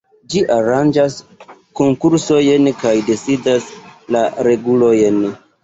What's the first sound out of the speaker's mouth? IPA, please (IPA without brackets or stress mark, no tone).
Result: d͡ʒ